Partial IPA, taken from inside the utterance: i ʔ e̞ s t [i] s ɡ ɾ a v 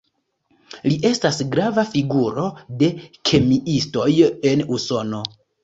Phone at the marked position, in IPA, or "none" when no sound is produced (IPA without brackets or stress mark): a